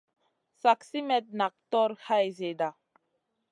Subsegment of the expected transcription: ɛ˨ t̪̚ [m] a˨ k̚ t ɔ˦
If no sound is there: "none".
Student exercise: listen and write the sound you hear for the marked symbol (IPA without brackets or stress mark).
n